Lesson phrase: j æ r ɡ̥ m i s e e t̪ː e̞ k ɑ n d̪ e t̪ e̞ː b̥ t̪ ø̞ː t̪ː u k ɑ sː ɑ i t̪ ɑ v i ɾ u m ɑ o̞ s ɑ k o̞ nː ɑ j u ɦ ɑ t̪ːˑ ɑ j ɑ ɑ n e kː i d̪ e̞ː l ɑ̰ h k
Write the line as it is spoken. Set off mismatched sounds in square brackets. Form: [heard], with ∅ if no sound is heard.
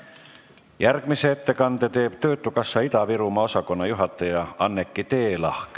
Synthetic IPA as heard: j æ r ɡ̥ m i s e e t̪ː e̞ k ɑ n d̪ e t̪ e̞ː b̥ t̪ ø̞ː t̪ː u k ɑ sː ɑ i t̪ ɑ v i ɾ u m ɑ o̞ s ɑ k o̞ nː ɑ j u ɦ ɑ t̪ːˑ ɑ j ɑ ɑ [nː] e kː i [t̪] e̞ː l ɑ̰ h k